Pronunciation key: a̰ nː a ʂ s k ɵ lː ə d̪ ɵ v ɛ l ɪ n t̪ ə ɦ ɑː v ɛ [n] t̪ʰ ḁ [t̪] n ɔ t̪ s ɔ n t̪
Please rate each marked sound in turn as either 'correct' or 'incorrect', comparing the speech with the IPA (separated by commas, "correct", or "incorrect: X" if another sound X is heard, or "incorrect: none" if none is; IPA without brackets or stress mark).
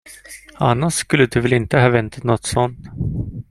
correct, correct